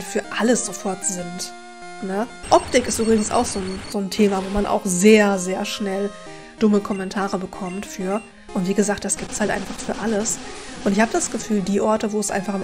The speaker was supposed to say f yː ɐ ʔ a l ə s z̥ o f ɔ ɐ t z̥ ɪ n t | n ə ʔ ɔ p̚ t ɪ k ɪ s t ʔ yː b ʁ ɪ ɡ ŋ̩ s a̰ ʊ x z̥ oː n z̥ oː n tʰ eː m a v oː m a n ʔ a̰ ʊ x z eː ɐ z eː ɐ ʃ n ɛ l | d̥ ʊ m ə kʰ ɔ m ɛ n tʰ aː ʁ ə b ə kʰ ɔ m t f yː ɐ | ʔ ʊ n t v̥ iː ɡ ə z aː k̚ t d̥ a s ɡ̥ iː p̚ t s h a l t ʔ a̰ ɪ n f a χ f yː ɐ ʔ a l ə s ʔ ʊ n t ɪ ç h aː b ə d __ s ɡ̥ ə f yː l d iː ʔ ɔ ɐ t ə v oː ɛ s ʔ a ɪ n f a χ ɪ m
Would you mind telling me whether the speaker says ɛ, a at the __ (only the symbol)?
a